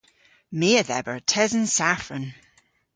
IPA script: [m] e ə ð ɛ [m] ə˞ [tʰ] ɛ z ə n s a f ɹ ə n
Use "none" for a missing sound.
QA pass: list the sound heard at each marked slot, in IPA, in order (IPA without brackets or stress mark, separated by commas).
m, b, tʰ